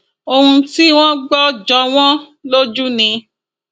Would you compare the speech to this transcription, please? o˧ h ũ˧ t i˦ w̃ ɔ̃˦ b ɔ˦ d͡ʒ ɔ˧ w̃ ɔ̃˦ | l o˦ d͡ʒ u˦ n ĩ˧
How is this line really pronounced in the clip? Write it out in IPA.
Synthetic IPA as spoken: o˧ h ũ˧ t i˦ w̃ ɔ̃˦ ɡ͡b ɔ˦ d͡ʒ ɔ˧ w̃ ɔ̃˦ | l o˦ d͡ʒ u˦ n ĩ˧